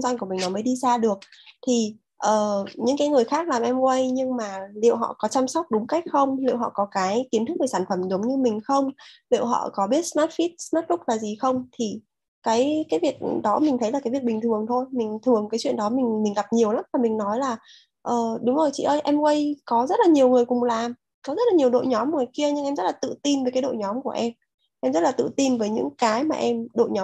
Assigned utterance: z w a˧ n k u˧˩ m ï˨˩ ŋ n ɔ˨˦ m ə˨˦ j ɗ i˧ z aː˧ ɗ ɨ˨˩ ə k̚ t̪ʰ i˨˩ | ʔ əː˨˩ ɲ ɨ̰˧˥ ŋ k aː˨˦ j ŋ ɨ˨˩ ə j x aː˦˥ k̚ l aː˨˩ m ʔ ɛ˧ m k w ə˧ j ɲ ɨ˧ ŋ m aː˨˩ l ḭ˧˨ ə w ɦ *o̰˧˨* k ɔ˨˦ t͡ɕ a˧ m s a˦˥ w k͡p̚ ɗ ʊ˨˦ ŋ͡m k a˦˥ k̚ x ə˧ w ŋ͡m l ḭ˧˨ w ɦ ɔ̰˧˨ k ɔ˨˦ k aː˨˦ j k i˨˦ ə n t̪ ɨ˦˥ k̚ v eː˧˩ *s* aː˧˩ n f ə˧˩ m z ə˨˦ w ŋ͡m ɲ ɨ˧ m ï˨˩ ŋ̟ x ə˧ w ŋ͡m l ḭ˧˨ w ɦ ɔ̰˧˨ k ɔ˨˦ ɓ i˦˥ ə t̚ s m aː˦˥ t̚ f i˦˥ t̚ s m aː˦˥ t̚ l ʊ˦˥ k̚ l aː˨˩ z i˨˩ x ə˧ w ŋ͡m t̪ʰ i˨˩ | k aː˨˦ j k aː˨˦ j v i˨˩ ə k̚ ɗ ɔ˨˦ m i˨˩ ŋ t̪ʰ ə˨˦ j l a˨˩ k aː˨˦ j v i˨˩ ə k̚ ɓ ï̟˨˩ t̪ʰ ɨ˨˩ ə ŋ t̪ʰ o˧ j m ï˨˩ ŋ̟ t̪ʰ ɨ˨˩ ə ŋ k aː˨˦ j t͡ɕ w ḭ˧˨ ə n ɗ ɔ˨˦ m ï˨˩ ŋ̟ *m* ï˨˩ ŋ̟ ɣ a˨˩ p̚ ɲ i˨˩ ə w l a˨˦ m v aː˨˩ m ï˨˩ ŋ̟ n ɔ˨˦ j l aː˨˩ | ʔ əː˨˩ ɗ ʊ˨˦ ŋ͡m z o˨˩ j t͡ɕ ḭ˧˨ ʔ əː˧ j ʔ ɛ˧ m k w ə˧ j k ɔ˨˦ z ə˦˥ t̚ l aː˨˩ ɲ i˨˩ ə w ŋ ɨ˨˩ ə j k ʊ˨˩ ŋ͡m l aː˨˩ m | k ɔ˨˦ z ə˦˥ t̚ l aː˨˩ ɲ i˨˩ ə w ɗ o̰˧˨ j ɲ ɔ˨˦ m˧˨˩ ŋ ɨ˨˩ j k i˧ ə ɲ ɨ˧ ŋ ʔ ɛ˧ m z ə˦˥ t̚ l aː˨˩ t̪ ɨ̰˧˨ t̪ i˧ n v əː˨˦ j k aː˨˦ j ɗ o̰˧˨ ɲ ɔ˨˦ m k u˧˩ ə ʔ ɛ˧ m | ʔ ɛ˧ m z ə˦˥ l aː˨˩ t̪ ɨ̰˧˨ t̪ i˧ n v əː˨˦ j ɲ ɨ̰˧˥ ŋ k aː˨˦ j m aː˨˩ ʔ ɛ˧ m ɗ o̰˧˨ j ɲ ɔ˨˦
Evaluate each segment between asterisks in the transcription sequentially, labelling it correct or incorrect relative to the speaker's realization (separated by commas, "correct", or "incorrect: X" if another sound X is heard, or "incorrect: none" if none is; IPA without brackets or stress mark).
incorrect: ɔ̰˧˨, correct, correct